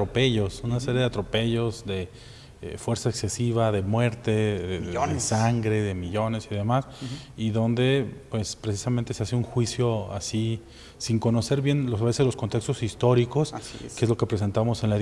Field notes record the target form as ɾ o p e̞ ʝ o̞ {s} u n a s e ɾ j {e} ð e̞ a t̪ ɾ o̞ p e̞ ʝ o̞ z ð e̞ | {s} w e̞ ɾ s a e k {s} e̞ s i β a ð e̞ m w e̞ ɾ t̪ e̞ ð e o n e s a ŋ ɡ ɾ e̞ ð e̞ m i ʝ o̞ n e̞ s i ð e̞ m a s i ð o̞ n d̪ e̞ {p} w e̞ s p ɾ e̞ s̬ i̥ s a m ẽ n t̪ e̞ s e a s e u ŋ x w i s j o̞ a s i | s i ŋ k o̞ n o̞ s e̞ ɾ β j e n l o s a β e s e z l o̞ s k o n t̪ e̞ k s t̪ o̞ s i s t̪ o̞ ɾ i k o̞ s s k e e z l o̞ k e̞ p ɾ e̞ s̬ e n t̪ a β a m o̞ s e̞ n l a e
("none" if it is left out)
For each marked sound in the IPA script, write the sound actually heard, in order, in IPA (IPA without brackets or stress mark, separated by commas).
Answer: s, e, f, s, p